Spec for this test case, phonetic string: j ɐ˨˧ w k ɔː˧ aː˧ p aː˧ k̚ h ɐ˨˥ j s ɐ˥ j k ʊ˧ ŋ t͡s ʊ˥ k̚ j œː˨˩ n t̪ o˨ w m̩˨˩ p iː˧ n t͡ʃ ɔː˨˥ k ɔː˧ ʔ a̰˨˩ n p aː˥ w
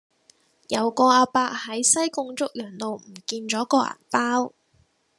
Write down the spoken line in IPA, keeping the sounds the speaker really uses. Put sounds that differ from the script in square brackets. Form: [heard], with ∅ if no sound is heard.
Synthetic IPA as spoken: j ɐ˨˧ w k ɔː˧ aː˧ p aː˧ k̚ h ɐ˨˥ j s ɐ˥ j k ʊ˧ ŋ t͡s ʊ˥ k̚ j œː˨˩ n t̪ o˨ w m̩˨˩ [k] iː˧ n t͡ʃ ɔː˨˥ k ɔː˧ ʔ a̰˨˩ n p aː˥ w